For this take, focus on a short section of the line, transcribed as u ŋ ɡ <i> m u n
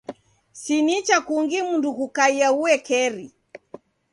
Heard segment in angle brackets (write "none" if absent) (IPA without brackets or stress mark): i